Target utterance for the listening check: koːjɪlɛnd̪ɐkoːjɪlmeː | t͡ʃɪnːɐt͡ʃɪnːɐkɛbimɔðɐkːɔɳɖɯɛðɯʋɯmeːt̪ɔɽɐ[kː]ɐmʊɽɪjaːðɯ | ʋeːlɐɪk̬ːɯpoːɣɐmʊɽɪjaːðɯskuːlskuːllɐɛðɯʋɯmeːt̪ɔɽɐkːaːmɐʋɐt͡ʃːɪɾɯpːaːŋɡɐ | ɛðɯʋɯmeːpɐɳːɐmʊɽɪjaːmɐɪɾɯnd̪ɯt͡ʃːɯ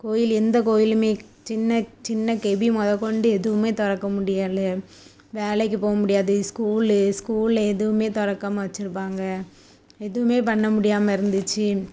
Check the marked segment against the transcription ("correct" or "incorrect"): correct